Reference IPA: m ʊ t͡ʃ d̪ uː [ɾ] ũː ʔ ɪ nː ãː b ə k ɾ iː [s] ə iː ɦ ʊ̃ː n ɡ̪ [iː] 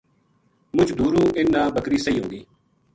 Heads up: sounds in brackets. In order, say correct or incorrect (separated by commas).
correct, correct, correct